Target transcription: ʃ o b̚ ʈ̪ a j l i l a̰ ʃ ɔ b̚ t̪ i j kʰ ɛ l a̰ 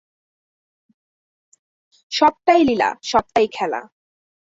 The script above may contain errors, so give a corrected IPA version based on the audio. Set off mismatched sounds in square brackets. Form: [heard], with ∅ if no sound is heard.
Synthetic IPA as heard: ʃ [ɔ] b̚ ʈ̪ a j l i l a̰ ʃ ɔ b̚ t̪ [a] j kʰ ɛ l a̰

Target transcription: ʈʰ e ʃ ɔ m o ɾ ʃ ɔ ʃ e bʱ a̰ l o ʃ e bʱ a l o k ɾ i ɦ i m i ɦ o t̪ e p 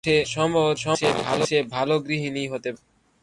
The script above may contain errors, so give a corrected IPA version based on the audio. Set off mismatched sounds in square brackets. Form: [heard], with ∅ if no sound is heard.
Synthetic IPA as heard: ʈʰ e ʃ ɔ m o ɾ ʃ ɔ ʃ e bʱ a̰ l o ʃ e bʱ a l o [ɡ] ɾ i ɦ i [n] i ɦ o t̪ e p

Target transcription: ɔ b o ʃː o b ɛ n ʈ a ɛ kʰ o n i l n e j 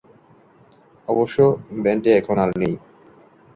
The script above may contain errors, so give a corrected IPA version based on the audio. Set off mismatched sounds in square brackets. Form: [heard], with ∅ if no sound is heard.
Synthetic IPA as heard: ɔ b o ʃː o b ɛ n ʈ [e] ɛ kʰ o n [a] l n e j

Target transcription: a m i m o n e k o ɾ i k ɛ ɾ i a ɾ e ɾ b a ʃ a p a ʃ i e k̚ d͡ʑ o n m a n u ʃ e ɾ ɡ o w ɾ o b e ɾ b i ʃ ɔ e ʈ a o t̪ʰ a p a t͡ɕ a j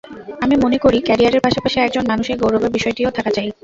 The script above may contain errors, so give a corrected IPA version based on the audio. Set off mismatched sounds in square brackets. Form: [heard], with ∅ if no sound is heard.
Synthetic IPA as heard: a m i m o n e k o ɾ i k ɛ ɾ i a ɾ e ɾ [p] a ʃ a p a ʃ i [ɛ] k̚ d͡ʑ o n m a n u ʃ e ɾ ɡ o w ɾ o b e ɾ b i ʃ ɔ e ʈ [i] o t̪ʰ a [k] a t͡ɕ a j

